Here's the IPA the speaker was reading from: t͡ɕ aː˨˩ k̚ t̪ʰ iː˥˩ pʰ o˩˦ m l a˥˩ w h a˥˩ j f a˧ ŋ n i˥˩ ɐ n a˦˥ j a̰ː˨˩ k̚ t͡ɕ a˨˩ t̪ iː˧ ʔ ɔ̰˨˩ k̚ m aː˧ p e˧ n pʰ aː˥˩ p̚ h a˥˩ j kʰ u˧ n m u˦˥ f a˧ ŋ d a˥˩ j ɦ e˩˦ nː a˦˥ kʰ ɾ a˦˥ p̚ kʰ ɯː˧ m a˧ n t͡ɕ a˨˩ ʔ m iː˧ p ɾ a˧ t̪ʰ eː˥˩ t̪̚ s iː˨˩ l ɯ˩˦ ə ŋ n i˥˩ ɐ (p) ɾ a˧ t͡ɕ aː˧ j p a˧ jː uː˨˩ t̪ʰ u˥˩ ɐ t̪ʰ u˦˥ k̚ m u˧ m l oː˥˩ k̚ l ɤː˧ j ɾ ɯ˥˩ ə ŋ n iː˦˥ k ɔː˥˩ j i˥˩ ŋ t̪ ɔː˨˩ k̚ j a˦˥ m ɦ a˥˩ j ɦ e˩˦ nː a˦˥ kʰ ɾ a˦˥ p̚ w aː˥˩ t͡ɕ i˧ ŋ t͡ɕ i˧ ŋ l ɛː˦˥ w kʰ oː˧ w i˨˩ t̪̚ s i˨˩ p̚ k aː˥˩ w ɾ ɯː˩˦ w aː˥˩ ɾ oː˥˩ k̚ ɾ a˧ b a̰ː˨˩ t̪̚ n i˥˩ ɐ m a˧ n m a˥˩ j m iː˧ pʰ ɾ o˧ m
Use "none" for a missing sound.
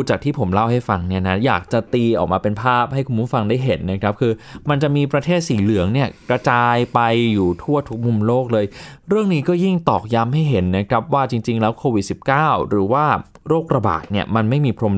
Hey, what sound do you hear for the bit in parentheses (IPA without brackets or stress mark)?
k